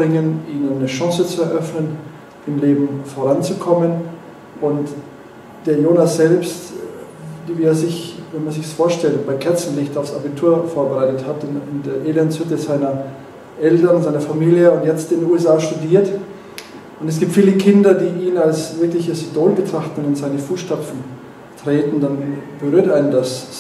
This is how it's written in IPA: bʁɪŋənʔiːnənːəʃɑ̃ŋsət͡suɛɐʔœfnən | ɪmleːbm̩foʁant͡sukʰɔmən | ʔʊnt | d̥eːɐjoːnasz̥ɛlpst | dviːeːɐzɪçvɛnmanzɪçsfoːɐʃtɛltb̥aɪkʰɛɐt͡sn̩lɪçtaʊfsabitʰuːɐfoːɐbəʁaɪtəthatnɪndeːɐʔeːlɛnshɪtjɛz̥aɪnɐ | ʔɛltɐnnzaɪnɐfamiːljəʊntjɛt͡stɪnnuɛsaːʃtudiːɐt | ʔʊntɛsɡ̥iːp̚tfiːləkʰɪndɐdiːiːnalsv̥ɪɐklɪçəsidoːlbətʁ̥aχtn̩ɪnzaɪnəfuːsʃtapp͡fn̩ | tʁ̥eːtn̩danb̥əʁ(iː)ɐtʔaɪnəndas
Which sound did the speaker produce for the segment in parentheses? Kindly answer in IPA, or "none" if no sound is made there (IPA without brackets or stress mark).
yː